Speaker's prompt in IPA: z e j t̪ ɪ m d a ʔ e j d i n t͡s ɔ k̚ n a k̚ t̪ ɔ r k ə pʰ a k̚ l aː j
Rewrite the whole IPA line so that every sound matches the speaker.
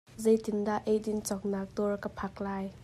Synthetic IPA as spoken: z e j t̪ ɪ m d a ʔ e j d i n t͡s ɔ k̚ n a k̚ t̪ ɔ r k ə pʰ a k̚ l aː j